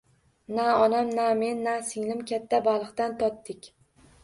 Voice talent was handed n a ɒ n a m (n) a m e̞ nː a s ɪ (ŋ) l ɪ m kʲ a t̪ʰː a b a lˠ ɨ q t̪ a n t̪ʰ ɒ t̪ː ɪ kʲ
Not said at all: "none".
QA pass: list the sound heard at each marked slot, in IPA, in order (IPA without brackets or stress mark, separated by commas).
n, ŋ